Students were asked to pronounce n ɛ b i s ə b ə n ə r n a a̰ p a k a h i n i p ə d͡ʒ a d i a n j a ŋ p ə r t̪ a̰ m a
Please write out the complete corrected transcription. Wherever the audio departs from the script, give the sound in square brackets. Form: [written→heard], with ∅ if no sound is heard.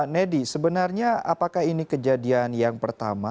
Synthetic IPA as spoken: n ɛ [b→d] i s ə b ə n [ə→a] r [n→ɲ] a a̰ p a k a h i n i [p→k] ə d͡ʒ a d i a n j a ŋ p ə r t̪ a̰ m a